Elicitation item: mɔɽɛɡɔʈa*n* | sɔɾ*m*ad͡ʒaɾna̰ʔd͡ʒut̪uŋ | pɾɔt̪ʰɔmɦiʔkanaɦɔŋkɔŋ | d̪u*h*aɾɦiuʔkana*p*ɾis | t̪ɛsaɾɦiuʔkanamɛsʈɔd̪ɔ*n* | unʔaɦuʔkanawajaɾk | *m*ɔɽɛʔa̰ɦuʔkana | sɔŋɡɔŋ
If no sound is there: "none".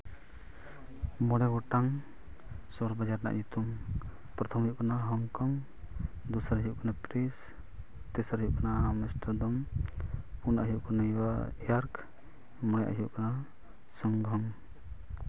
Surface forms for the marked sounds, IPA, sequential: ŋ, b, s, p, m, m

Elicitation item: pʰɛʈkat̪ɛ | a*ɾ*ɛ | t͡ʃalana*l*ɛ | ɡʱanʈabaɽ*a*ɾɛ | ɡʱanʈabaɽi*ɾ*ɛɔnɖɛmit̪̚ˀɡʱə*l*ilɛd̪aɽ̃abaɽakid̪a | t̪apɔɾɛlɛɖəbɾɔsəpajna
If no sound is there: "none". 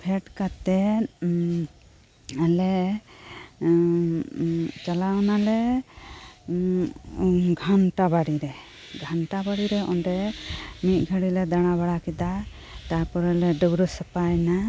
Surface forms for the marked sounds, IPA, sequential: l, l, i, ɾ, ɽ

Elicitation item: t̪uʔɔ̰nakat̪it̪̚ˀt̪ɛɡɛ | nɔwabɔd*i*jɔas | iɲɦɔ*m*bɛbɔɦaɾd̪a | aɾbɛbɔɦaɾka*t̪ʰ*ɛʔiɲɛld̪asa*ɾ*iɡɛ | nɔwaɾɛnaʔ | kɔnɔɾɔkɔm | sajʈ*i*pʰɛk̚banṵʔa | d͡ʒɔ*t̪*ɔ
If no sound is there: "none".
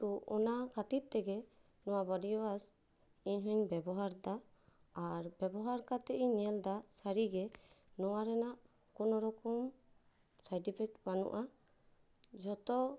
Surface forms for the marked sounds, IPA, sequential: i, ɲ, t̪, ɾ, i, t̪

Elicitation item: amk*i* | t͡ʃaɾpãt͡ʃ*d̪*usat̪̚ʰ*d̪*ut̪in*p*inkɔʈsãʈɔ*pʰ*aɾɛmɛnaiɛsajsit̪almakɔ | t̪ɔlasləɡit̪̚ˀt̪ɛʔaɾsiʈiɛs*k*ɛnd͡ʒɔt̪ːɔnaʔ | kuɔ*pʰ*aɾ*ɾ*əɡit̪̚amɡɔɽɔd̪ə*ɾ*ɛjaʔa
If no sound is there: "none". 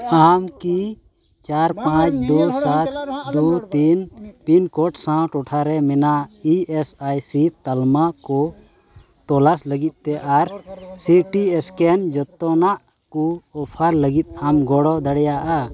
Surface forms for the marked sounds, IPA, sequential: i, d̪, d̪, p, ʈʰ, k, pʰ, l, ɽ

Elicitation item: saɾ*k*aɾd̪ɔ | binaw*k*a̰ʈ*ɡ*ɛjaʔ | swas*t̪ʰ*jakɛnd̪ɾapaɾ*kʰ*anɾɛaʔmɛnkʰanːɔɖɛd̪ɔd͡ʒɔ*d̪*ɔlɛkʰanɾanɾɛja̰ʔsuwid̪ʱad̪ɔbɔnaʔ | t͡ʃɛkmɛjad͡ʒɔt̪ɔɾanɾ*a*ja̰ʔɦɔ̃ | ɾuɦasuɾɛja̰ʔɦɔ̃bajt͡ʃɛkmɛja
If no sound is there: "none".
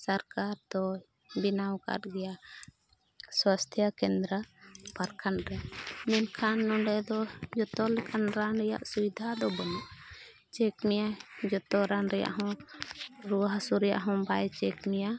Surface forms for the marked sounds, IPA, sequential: k, k, ɡ, t̪ʰ, kʰ, t̪, ɛ

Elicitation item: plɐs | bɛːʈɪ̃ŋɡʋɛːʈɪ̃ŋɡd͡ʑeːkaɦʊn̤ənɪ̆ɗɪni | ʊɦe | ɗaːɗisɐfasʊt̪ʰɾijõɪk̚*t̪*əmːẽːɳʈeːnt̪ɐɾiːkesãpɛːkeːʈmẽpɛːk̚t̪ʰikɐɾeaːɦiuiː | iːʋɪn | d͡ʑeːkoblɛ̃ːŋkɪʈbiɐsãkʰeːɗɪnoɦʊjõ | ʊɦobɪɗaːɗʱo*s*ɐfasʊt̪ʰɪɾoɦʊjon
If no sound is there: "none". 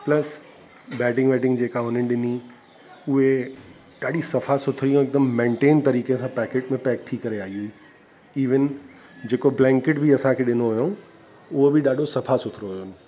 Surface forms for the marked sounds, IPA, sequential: d̪, s

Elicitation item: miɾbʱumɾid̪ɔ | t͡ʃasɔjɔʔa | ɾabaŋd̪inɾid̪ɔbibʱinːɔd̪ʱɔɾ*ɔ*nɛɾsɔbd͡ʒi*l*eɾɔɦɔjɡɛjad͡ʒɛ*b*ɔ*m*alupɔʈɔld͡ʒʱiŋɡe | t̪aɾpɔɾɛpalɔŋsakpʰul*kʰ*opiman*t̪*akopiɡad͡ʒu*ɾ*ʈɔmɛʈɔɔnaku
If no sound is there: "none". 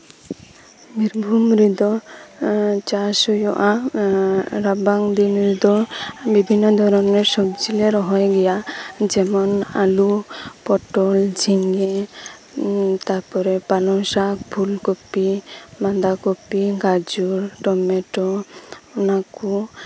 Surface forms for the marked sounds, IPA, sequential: ɔ, l, m, n, k, d̪, ɾ

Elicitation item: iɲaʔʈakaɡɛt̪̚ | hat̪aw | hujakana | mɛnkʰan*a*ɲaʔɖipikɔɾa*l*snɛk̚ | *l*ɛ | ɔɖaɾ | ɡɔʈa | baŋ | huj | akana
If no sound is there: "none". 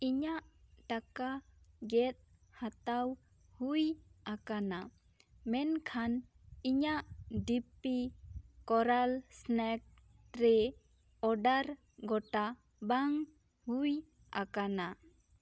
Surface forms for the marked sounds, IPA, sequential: i, l, ɾ

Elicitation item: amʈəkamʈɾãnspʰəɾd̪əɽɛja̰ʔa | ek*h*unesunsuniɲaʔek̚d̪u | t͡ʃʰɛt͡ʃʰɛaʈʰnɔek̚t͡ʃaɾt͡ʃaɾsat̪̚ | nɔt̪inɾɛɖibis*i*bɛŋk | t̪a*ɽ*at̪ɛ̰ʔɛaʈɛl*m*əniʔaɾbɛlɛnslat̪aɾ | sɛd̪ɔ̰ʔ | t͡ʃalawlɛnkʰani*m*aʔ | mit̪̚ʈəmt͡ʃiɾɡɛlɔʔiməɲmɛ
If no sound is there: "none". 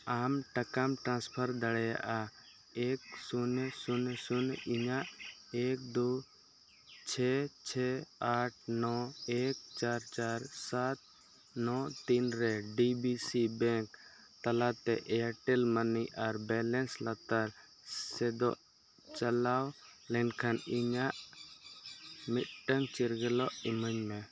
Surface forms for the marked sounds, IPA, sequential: s, i, l, m, ɲ

